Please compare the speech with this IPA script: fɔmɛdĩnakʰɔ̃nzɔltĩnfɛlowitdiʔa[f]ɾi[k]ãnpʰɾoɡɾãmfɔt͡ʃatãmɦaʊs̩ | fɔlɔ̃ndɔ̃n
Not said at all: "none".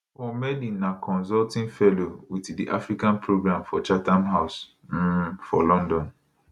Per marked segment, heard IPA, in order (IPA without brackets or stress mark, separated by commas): f, k